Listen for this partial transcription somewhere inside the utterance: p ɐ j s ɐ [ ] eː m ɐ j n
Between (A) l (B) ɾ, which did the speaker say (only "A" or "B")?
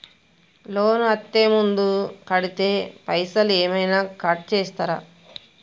A